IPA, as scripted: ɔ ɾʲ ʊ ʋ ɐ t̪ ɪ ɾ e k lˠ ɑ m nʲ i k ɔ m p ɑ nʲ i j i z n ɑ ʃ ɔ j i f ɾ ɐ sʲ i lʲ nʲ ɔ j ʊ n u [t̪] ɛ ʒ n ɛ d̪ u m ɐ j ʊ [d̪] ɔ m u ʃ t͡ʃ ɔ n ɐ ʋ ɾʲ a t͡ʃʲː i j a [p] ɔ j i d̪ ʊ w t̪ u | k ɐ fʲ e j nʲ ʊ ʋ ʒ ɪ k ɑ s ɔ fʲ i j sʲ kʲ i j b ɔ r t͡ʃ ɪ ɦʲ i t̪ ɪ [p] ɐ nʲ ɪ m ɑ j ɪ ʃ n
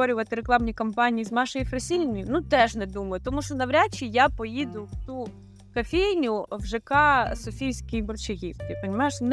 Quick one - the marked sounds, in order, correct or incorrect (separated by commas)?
correct, incorrect, correct, correct